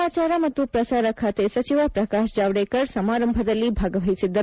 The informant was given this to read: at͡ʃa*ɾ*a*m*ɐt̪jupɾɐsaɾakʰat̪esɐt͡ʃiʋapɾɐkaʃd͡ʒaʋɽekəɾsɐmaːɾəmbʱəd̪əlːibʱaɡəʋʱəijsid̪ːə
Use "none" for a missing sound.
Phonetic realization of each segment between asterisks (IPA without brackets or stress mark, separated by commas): ɾ, m